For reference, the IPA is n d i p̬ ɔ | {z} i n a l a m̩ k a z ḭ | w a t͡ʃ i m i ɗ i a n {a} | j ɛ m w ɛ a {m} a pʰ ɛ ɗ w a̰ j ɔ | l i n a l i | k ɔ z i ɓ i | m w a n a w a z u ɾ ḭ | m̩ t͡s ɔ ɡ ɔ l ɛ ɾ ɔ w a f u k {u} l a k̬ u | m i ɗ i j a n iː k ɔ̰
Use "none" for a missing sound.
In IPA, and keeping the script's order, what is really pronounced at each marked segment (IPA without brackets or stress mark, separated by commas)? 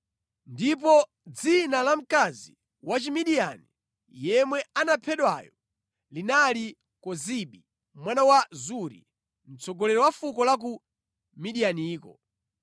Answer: d͡z, i, n, ɔ